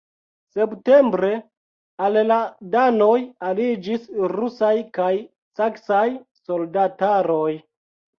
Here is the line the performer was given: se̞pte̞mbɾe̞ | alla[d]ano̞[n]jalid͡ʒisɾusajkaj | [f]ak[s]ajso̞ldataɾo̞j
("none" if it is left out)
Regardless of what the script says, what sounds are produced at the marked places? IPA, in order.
d, none, s, s

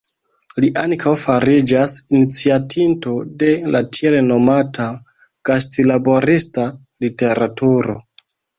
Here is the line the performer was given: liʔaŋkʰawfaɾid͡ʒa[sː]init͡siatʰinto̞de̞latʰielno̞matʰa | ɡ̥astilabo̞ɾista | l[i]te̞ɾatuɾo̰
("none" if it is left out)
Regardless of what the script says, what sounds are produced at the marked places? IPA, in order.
s, i

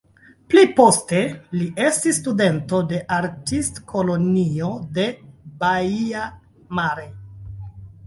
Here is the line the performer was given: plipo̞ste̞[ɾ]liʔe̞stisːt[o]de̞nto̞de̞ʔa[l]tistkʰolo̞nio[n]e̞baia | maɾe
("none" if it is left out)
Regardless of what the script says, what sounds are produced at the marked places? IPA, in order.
none, u, ɾ, d

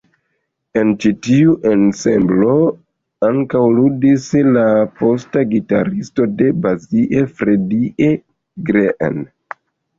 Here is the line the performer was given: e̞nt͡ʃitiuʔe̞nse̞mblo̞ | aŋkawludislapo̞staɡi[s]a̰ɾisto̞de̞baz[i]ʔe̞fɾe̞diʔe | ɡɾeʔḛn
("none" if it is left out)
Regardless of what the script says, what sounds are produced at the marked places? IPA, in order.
t, i

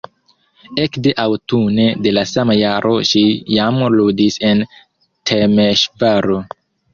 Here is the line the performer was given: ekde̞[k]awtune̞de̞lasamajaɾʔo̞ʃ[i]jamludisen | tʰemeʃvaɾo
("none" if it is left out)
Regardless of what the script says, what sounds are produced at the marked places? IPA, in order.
ʔ, i

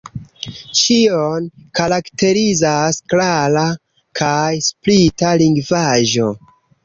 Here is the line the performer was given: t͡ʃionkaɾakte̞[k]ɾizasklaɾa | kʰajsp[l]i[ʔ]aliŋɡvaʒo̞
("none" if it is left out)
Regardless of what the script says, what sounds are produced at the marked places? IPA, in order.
none, l, t

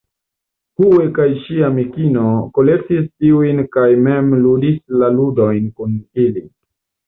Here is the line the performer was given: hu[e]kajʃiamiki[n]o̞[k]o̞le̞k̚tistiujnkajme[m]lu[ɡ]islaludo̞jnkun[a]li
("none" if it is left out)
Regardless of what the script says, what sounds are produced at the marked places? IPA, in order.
e, n, k, m, d, i

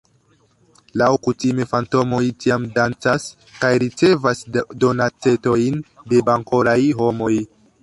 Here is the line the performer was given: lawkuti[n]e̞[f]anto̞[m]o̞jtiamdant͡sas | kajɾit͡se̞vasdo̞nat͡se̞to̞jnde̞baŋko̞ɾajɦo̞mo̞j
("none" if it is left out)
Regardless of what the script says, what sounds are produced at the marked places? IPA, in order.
m, f, m

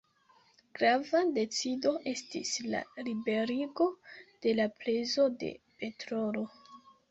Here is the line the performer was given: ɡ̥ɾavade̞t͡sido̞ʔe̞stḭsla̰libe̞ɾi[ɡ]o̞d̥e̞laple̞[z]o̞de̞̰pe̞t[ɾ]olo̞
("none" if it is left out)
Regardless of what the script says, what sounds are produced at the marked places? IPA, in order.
ɡ, z, ɾ

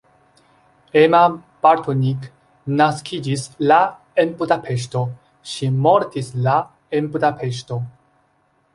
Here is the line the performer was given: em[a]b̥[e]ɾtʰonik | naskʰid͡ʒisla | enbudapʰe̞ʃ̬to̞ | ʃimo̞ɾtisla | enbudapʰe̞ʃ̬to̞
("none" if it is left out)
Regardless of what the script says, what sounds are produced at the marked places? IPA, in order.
a, a

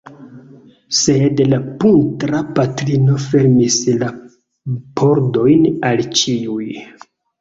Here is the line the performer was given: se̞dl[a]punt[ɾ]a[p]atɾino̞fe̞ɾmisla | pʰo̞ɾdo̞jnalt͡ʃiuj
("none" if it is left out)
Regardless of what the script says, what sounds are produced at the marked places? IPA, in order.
a, ɾ, p

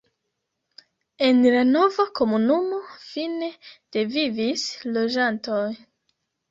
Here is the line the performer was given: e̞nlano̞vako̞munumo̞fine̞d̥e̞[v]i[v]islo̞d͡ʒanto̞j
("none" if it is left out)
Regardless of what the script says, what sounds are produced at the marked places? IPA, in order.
v, v

